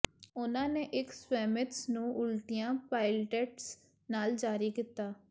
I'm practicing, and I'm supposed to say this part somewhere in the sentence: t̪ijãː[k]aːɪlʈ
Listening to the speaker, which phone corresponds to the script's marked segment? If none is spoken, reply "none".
p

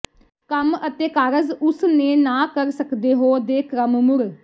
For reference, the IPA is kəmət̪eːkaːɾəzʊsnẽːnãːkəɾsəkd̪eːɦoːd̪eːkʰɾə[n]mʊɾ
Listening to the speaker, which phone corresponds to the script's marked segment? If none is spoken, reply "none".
m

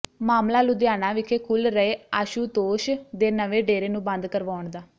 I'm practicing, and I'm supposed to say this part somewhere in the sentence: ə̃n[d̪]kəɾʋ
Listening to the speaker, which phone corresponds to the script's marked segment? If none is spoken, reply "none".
d̪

